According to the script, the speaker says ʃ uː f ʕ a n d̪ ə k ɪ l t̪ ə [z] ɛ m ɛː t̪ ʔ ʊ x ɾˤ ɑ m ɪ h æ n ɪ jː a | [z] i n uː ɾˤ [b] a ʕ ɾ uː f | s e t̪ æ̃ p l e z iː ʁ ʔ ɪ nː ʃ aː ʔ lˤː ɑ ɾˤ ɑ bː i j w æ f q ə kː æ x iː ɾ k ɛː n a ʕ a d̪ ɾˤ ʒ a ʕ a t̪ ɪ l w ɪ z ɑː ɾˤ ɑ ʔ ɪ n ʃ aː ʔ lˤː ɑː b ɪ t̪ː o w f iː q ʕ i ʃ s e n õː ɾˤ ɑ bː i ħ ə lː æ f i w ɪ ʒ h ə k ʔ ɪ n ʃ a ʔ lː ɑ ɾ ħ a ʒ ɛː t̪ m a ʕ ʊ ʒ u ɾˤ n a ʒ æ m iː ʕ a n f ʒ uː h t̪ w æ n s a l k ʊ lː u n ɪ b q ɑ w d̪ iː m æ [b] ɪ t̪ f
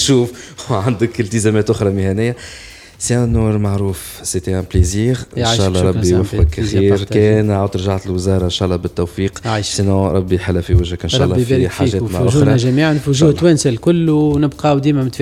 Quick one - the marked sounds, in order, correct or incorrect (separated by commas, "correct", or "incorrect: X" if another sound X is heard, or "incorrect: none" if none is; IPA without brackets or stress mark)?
correct, incorrect: s, incorrect: m, incorrect: m